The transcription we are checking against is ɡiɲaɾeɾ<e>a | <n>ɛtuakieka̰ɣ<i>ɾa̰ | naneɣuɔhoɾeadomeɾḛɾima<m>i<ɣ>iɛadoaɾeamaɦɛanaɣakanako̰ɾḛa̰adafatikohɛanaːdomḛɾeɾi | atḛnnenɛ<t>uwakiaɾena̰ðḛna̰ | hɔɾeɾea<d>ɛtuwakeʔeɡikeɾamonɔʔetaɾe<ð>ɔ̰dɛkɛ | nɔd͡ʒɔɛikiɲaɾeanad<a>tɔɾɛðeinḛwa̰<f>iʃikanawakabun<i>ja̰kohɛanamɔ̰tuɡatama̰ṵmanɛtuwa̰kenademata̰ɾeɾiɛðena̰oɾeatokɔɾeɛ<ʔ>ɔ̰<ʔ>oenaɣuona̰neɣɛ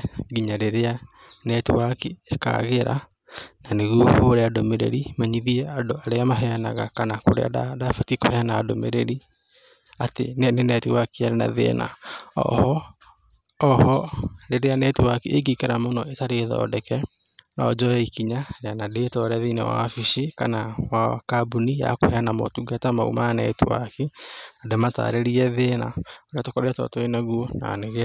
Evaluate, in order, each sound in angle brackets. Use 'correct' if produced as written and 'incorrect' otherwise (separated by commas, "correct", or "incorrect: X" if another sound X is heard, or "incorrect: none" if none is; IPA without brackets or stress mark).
correct, correct, incorrect: e, incorrect: ɲ, incorrect: ð, correct, incorrect: n, correct, incorrect: e, correct, correct, incorrect: t, incorrect: t